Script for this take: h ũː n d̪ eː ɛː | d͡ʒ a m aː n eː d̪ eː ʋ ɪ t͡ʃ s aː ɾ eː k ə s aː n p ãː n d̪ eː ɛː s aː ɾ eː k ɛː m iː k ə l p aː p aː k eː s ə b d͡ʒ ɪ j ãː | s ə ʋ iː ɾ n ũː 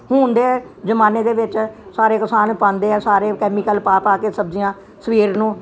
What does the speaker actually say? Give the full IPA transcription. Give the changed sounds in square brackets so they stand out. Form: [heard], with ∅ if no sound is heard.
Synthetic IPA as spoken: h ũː n d̪ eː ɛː | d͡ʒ [ə] m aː n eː d̪ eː ʋ ɪ t͡ʃ s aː ɾ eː k ə s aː n p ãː n d̪ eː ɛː s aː ɾ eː k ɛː m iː k ə l p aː p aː k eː s ə b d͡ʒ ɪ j ãː | s ə ʋ iː ɾ n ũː